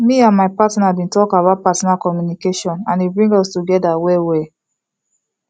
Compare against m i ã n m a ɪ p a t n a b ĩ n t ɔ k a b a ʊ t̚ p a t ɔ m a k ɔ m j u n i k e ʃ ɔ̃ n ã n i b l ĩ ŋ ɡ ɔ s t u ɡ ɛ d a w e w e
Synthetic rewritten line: m i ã n m a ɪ p a t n a b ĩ n t ɔ k a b a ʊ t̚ p a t ɔ n a k ɔ m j u n i k e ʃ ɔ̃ n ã n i b ɹ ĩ ŋ ɡ ɔ s t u ɡ ɛ d a w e w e